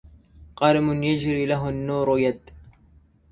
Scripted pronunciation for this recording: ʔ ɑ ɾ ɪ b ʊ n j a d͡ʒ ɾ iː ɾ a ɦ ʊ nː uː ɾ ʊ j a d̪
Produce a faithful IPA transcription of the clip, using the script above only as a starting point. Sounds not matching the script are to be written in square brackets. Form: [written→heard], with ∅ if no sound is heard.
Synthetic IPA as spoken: [ʔ→q] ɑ ɾ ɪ [b→m] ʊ n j a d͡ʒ ɾ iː [ɾ→l] a ɦ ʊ nː uː ɾ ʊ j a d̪